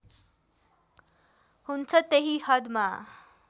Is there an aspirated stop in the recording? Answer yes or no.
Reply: yes